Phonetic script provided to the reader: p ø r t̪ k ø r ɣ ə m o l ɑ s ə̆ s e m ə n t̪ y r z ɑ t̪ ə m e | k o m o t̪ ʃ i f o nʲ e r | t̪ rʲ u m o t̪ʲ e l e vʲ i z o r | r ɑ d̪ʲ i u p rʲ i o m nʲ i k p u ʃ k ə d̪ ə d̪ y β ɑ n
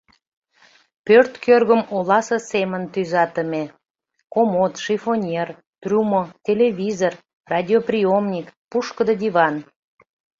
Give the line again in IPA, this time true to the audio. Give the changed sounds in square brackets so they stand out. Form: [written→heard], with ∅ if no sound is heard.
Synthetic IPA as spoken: p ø r t̪ k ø r ɣ ə m o l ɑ s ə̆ s e m ə n t̪ y [r→∅] z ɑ t̪ ə m e | k o m o t̪ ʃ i f o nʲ e r | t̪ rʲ u m o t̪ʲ e l e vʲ i z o r | r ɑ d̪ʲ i [u→o] p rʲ i o m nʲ i k p u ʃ k ə d̪ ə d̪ [y→i] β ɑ n